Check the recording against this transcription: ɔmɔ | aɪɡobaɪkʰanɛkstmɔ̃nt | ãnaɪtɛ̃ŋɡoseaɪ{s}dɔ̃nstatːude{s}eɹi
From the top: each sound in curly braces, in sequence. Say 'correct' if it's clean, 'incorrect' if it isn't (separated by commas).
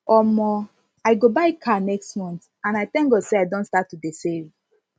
incorrect, correct